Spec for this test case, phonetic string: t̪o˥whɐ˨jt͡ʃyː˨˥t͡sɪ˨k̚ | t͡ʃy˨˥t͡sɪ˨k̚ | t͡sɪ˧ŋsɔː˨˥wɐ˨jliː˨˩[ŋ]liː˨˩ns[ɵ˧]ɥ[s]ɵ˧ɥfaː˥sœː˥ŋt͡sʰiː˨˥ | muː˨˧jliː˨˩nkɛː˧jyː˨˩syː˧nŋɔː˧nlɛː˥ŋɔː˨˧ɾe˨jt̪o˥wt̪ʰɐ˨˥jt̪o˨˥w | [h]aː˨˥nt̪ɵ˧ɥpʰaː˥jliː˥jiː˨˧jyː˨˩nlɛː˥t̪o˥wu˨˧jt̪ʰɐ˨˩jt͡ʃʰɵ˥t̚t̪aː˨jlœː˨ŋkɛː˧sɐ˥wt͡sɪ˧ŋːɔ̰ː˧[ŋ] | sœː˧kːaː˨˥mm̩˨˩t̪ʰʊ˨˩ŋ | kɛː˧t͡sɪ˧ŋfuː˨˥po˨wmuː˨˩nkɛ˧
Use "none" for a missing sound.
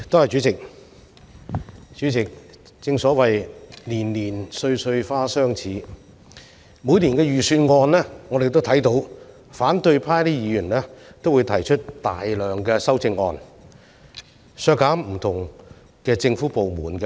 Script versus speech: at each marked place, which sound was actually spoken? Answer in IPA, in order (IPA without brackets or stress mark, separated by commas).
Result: n, ɵ˧, s, f, n